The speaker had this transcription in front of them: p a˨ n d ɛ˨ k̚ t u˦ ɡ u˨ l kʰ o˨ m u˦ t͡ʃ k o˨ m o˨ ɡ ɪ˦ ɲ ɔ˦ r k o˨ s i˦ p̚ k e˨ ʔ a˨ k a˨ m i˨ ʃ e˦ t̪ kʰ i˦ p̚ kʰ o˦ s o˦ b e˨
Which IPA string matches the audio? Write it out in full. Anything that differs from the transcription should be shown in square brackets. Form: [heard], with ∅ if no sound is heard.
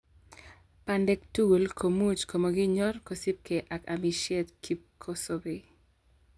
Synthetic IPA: p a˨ n d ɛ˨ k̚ t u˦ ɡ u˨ l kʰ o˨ m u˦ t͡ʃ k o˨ m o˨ ɡ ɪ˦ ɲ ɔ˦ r k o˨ s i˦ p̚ k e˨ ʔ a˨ k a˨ m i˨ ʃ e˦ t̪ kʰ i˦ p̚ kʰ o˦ s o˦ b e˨